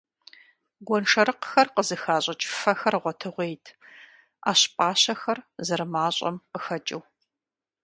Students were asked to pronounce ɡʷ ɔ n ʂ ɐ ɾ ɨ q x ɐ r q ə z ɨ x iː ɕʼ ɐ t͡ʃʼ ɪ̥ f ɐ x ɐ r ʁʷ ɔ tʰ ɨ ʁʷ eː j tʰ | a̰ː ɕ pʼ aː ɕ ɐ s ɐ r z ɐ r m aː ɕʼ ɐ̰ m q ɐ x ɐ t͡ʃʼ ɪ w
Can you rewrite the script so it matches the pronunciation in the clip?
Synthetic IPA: ɡʷ ɔ n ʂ ɐ ɾ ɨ q x ɐ r q ə z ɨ x aː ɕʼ ɐ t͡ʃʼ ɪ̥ f ɐ x ɐ r ʁʷ ɔ tʰ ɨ ʁʷ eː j tʰ | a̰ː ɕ pʼ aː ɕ ɐ x ɐ r z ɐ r m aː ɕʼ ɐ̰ m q ə x ɐ t͡ʃʼ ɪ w